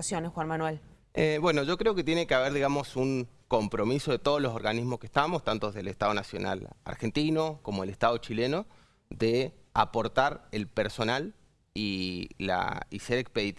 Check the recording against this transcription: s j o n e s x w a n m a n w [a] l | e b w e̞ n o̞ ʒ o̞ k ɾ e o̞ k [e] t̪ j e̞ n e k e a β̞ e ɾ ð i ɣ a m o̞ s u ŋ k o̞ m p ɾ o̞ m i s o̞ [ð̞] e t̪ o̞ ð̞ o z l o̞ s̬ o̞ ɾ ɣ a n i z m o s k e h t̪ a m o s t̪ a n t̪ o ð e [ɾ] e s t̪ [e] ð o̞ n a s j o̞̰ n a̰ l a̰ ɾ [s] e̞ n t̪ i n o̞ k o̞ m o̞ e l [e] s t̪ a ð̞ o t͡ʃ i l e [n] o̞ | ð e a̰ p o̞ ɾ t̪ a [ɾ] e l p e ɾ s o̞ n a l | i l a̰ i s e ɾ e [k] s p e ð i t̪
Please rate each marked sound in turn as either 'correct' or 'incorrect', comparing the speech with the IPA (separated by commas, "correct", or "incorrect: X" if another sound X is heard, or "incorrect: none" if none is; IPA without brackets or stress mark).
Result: incorrect: e, correct, correct, incorrect: l, incorrect: a, incorrect: x, correct, correct, correct, correct